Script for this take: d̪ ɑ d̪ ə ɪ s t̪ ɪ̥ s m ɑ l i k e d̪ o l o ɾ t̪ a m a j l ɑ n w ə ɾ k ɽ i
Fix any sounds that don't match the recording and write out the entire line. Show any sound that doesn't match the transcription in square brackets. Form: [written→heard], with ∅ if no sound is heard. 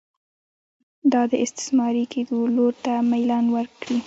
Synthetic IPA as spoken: d̪ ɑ d̪ ə ɪ s t̪ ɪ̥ s m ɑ [l→ɾ] i k e d̪ o l o ɾ t̪ a m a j l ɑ n w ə ɾ k ɽ i